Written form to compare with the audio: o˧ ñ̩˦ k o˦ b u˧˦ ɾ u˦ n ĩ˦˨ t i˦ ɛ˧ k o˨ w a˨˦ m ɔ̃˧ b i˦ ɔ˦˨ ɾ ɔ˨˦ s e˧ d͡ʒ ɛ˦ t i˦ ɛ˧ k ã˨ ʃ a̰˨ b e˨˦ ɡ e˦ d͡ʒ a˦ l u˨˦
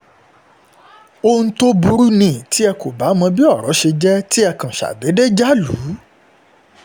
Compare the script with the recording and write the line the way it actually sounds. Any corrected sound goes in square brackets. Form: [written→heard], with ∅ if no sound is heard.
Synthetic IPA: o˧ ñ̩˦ [k→t] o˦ b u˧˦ ɾ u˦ n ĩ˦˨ t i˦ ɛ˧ k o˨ [w→b] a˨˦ m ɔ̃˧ b i˦ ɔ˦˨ ɾ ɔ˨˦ [s→ʃ] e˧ d͡ʒ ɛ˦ t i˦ ɛ˧ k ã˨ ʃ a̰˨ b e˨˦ [ɡ→d] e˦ d͡ʒ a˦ l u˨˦